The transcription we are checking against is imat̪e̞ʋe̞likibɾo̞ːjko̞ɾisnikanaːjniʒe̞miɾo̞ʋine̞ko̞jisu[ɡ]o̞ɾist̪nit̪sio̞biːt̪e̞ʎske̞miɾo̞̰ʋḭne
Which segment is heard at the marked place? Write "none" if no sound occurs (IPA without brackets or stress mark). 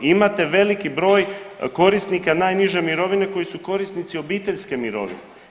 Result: k